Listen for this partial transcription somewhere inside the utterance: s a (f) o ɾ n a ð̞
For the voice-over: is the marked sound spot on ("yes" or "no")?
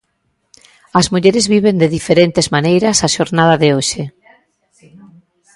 no